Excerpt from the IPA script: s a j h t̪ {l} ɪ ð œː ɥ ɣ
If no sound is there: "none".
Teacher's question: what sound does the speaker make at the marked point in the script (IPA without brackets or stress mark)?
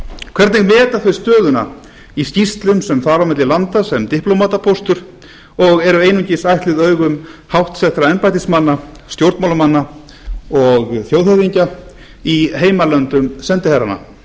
l